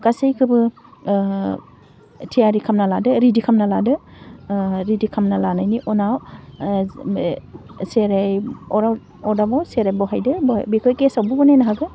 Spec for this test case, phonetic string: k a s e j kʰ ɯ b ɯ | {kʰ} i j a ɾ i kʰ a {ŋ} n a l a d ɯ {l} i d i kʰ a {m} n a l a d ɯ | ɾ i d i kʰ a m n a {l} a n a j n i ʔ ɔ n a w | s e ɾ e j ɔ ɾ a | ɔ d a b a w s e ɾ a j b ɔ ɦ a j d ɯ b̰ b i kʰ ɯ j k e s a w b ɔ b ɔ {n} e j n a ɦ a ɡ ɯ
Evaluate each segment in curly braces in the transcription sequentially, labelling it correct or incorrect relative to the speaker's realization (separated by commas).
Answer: incorrect, incorrect, incorrect, correct, correct, correct